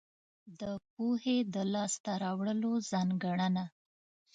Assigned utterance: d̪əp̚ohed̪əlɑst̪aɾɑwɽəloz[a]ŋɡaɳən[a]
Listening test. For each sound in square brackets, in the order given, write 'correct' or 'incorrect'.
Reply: incorrect: ɑ, correct

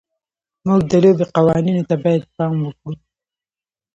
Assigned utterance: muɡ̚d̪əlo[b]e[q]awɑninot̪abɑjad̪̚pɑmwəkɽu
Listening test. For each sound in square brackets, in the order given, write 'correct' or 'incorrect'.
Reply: correct, correct

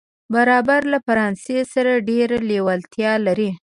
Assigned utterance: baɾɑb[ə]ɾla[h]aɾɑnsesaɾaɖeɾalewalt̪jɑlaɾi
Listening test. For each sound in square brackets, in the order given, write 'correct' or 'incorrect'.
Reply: incorrect: a, incorrect: f

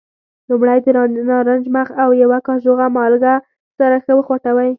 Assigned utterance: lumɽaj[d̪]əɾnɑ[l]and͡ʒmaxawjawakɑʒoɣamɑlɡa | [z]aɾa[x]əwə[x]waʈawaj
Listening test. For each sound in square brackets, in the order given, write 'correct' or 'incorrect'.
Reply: correct, incorrect: ɾ, incorrect: s, correct, correct

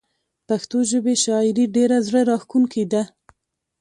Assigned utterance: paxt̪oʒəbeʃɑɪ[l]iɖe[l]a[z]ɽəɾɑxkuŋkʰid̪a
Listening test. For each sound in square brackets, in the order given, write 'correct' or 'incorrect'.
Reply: incorrect: ɾ, incorrect: ɾ, correct

